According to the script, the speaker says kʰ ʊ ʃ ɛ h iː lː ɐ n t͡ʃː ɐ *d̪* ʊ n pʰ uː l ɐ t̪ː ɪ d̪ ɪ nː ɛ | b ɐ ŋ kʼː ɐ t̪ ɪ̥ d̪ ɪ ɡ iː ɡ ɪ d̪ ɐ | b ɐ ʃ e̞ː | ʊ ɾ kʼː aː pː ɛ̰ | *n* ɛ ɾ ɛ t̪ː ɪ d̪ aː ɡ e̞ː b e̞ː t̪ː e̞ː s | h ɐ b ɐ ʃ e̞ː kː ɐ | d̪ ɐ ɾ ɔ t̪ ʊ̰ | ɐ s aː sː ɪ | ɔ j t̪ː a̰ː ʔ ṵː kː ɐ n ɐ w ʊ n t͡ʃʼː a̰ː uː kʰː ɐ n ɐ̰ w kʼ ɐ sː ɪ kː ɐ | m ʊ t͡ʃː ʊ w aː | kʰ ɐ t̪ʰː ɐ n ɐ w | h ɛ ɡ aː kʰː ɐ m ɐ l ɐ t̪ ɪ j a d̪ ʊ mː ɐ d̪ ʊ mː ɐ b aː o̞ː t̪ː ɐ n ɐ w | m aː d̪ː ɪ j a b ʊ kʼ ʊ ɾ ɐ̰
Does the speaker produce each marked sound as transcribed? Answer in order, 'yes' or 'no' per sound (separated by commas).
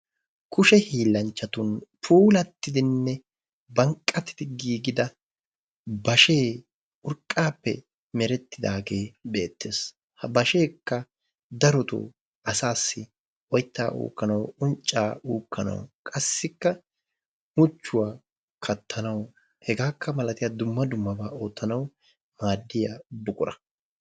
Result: no, no